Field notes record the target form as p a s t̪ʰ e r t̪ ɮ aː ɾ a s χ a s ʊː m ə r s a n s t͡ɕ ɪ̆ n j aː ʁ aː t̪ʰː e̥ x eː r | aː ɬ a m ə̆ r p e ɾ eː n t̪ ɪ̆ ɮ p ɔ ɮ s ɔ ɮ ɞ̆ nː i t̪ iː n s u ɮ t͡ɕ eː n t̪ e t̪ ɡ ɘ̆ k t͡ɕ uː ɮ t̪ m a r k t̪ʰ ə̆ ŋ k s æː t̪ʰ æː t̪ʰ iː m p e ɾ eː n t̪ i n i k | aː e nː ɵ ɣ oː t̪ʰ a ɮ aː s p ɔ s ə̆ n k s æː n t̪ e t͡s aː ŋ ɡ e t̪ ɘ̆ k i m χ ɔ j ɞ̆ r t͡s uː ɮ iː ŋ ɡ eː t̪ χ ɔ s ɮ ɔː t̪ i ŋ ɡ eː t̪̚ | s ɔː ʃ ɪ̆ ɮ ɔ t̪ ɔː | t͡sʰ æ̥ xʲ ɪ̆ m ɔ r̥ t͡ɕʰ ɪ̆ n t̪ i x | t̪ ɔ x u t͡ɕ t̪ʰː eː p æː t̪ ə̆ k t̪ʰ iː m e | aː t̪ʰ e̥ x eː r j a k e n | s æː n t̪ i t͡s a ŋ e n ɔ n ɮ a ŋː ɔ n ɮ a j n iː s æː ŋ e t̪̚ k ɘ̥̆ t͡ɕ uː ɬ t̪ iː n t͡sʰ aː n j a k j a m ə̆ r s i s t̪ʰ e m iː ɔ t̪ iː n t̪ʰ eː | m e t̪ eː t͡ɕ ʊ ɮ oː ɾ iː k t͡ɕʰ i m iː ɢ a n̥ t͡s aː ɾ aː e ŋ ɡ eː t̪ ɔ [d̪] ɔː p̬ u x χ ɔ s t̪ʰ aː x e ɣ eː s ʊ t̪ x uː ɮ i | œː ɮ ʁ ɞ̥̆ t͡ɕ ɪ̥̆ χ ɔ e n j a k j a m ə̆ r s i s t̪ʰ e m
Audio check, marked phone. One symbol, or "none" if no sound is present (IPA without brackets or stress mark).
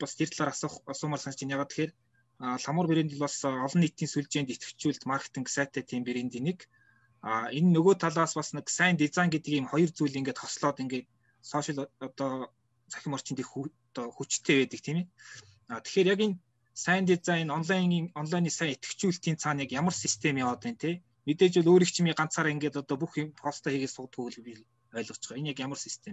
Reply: t̪